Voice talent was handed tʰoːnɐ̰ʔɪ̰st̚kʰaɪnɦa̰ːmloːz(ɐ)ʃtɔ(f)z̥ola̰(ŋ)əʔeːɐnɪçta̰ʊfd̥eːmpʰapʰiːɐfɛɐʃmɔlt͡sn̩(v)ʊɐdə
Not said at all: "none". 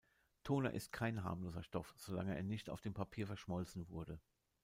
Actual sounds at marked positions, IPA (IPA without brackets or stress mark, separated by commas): ɐ, f, ŋ, v